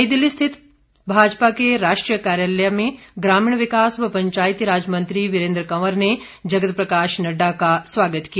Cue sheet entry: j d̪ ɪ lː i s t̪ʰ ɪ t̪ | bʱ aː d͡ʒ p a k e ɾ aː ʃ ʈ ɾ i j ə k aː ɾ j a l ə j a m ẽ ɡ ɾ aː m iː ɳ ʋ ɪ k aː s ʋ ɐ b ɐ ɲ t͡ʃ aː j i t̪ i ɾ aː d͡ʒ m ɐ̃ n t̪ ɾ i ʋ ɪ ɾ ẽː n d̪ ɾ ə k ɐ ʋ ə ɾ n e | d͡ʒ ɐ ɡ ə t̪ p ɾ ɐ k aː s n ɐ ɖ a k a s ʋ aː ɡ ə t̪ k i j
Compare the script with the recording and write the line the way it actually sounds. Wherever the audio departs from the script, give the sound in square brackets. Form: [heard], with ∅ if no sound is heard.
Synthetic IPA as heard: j d̪ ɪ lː i s t̪ʰ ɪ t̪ | bʱ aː d͡ʒ p a k e ɾ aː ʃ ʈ ɾ i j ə k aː ɾ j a l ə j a m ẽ ɡ ɾ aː m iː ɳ ʋ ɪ k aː s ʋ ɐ [p] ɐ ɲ t͡ʃ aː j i t̪ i ɾ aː d͡ʒ m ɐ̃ n t̪ ɾ i ʋ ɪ ɾ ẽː n d̪ ɾ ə k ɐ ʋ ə ɾ n e | d͡ʒ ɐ ɡ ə t̪ p ɾ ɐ k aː [ʃ] n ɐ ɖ a k a s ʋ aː ɡ ə t̪ k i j